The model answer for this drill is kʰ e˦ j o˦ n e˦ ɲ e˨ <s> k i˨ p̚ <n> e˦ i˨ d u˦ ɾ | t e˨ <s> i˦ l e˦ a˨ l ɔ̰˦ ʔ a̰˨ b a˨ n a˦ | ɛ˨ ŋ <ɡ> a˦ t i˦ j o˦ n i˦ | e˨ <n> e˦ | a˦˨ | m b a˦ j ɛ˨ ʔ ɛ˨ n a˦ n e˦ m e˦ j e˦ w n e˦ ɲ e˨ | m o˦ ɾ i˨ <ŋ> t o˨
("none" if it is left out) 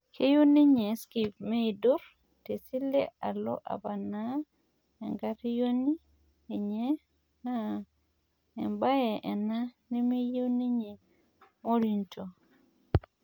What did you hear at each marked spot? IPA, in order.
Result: s, m, s, ɡ, ɲ, n

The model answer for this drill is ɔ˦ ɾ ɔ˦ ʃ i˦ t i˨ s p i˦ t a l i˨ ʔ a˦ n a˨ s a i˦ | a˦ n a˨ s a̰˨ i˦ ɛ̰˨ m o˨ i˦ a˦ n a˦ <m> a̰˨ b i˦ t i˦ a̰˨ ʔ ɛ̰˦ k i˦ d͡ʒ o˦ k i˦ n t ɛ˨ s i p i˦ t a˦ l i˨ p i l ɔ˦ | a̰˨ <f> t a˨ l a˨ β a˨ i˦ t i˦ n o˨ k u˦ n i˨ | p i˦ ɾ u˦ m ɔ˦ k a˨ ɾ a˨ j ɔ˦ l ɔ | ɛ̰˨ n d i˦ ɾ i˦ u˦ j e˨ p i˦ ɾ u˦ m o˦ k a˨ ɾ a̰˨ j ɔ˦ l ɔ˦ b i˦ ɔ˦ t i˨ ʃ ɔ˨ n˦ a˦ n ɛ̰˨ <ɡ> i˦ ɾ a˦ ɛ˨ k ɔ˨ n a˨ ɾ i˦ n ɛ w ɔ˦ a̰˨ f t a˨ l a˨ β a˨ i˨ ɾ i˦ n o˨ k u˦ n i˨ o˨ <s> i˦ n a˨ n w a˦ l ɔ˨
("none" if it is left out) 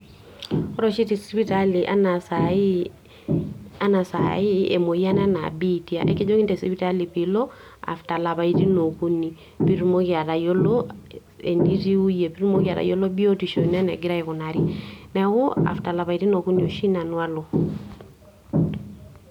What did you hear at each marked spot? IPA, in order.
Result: n, f, ɡ, ʃ

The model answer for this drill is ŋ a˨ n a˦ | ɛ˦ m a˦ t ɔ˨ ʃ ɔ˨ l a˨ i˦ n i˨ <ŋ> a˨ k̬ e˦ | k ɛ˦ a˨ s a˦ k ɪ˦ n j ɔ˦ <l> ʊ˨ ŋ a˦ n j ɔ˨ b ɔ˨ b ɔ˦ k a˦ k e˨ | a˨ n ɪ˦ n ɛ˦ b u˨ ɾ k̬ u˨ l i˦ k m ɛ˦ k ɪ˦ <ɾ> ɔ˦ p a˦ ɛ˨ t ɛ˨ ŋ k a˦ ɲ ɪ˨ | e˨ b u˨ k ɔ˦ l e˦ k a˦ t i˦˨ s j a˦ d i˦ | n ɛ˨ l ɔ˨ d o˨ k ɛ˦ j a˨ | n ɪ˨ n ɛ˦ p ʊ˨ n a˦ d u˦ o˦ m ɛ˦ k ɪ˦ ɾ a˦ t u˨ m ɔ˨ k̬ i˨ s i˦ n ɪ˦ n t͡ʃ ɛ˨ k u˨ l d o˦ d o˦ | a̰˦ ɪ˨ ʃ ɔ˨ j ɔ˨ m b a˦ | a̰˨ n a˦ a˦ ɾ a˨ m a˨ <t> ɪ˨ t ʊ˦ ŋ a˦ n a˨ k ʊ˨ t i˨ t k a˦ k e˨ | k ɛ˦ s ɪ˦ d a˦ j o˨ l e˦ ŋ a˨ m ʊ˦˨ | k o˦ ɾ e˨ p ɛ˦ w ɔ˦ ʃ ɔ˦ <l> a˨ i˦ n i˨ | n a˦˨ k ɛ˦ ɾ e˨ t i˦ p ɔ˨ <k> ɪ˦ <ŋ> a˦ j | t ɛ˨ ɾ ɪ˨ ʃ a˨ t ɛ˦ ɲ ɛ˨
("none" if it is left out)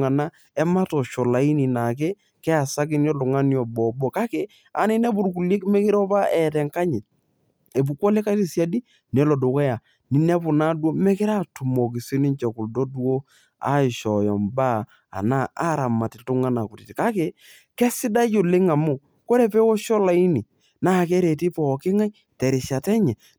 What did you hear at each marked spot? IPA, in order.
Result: n, l, ɾ, t, l, k, ŋ

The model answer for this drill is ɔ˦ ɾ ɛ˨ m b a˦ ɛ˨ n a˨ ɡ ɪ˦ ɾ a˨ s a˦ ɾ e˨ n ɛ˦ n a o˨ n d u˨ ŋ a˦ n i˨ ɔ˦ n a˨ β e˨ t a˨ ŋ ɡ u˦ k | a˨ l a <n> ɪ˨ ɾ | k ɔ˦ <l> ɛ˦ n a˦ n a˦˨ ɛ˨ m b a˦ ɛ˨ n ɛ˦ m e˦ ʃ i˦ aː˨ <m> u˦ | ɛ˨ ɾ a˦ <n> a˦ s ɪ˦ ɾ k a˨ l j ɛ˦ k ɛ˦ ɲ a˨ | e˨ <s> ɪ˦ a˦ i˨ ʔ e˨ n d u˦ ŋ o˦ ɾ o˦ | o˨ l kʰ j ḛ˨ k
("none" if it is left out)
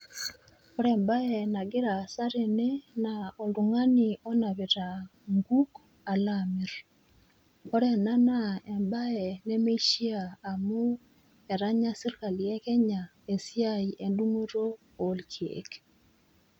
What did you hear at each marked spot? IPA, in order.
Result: m, ɾ, m, ɲ, s

